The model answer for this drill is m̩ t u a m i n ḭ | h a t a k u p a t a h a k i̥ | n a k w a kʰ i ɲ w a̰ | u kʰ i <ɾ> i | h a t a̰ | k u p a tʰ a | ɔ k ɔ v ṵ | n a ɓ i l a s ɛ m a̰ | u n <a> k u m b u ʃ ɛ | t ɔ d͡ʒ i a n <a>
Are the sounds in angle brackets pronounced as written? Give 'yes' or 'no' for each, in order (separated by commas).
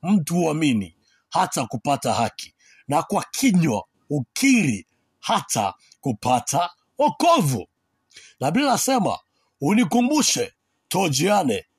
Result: yes, no, no